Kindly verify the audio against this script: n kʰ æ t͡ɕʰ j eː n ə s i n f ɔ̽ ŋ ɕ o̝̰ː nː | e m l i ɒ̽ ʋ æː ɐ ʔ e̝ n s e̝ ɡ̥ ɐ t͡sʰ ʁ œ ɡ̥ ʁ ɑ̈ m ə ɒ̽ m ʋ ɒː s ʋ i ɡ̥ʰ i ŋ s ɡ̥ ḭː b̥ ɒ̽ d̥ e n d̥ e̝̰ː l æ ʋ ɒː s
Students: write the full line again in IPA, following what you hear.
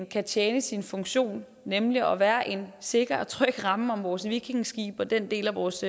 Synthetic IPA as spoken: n kʰ æ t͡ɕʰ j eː n ə s i n f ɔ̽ ŋ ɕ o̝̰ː nː | e m l i ɒ̽ ʋ æː ɐ ʔ e̝ n s e̝ ɡ̥ ɐ t͡sʰ ʁ œ ɡ̥ ʁ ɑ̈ m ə ɒ̽ m ʋ ɒː s ʋ i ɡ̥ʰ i ŋ s ɡ̥ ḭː b̥ ɒ̽ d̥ e n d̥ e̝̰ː l æ ʋ ɒː s